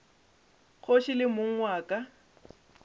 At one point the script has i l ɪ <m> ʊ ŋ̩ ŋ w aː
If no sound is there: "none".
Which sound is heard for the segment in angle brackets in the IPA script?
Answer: m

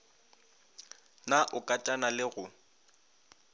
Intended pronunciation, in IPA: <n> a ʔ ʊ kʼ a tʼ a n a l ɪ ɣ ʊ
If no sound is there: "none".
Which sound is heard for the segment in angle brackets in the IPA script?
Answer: n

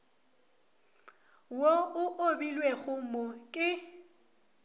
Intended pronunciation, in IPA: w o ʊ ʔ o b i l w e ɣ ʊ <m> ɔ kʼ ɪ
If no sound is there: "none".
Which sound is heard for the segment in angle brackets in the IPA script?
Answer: m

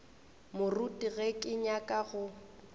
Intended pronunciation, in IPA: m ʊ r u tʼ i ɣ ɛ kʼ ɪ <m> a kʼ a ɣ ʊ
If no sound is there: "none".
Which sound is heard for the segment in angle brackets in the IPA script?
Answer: ɲ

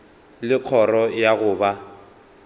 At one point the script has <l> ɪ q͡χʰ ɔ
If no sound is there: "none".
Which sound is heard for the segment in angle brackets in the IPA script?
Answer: l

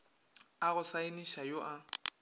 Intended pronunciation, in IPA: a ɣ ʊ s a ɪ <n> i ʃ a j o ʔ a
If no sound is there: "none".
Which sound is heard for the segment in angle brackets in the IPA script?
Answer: n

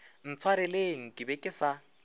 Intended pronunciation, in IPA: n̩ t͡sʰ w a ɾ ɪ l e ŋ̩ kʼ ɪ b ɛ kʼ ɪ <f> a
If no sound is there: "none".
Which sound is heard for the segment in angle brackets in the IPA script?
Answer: s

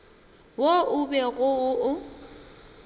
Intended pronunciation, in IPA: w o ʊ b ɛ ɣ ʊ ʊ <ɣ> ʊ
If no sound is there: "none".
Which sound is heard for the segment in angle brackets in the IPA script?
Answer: none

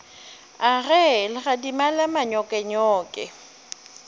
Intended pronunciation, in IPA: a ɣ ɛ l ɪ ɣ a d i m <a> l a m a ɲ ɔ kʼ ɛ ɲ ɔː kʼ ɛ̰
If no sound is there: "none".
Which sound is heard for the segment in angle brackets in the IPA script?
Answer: a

